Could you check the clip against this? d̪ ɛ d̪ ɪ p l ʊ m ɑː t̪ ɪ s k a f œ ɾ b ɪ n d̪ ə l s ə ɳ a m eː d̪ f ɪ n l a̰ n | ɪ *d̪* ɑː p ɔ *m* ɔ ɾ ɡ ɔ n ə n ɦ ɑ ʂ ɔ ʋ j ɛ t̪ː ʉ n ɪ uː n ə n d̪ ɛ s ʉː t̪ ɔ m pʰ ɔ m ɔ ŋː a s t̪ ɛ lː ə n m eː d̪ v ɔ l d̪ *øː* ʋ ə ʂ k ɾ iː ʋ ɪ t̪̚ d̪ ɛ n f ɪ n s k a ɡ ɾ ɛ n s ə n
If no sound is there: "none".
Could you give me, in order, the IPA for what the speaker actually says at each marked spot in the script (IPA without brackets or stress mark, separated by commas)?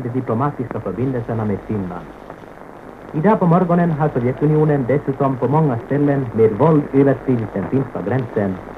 d̪, m, øː